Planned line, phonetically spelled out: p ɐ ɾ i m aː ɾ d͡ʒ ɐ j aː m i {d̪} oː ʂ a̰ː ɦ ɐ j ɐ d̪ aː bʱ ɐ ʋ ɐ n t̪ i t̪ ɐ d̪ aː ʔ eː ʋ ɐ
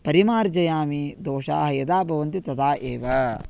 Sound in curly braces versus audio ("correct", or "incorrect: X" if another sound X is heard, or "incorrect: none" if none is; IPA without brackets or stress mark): correct